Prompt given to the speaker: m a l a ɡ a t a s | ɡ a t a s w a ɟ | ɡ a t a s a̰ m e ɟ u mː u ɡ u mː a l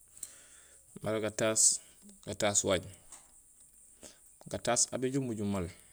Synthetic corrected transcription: m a l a ɡ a t a s | ɡ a t a s w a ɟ | ɡ a t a s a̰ b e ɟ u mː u ɟ u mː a l